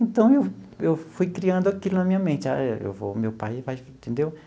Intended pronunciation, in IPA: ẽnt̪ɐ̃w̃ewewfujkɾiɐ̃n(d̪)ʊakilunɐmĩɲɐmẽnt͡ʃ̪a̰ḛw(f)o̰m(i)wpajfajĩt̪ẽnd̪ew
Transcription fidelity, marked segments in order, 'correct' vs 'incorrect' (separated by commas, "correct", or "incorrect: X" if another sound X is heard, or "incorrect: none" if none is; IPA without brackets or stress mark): correct, incorrect: v, incorrect: e